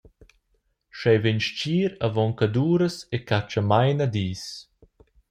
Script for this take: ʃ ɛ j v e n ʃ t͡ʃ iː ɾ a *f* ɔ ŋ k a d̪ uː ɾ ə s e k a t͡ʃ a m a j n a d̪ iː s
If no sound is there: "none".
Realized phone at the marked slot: v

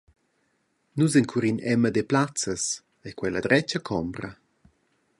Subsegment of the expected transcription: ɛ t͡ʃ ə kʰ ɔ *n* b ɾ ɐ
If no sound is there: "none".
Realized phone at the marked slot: m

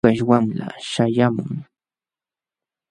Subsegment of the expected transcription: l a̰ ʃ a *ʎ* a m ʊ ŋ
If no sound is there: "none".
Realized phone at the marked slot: j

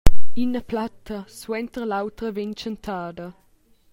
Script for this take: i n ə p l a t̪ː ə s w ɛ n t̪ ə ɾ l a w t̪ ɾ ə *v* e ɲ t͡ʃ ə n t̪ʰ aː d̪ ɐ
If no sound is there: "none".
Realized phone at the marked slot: v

